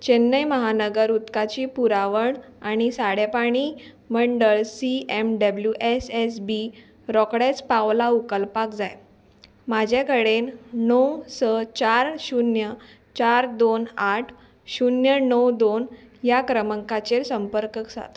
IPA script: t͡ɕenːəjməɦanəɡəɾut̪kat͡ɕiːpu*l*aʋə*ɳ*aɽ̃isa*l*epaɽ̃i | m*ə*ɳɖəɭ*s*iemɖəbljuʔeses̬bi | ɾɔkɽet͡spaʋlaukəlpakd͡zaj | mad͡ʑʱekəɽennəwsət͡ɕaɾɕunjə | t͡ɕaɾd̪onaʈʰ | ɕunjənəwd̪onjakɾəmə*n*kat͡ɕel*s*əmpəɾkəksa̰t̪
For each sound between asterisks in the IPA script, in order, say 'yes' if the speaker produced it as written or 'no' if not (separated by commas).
no, yes, no, yes, yes, no, yes